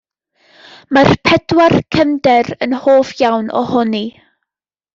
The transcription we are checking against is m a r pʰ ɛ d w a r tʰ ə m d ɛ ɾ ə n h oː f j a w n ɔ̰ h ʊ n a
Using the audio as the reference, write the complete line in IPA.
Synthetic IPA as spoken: m a r pʰ ɛ d w a r kʰ ə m d ɛ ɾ ə n h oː f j a w n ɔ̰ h ʊ n i